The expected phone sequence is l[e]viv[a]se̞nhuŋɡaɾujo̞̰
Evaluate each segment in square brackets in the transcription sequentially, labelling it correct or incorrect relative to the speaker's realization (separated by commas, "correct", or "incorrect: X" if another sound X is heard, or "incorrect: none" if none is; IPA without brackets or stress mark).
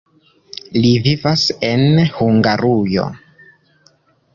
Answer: incorrect: i, correct